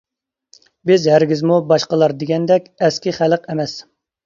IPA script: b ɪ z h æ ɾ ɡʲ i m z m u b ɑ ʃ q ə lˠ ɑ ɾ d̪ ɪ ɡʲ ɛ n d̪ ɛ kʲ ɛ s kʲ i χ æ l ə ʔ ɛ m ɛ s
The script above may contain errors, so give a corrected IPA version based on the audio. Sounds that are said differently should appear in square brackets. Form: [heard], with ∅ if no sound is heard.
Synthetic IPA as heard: b ɪ z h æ ɾ ɡʲ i [∅] z m u b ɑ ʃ q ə lˠ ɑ ɾ d̪ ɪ ɡʲ ɛ n d̪ ɛ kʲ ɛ s kʲ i χ æ l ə [q] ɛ m ɛ s